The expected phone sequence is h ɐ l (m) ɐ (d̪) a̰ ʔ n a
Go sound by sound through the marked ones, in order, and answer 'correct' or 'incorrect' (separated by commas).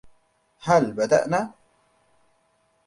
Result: incorrect, correct